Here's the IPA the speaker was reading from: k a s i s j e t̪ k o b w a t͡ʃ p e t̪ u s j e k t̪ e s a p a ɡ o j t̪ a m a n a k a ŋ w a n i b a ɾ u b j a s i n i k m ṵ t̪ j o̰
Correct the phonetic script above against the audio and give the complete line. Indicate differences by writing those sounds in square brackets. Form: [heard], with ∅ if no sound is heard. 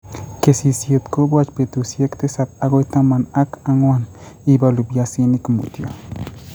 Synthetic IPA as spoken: k [e] s i s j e t̪ k o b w a t͡ʃ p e t̪ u s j e k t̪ e s a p a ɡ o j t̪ a m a n a k a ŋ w a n i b a [l] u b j a s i n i k m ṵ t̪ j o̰